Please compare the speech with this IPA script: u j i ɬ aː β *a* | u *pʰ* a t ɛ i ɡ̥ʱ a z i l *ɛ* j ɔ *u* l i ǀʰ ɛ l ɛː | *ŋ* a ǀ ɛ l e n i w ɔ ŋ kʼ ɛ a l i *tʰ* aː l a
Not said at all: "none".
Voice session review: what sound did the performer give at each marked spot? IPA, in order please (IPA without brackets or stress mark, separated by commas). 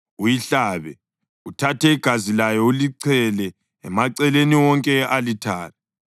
ɛ, tʰ, a, u, m, tʰ